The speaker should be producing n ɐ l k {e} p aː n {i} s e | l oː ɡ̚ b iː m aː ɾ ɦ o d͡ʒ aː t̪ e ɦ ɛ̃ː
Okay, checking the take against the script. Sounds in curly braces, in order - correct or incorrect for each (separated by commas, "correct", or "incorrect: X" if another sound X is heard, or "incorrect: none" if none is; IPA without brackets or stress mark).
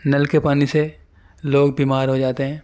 correct, correct